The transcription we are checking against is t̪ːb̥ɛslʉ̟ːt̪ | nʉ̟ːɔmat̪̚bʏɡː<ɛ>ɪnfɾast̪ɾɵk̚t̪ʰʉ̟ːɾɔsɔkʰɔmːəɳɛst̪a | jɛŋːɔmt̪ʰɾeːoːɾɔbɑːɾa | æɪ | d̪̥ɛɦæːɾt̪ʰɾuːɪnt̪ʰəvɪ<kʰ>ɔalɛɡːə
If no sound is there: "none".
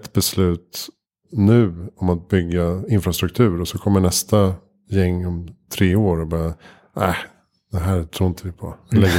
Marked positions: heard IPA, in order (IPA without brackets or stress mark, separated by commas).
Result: a, pʰ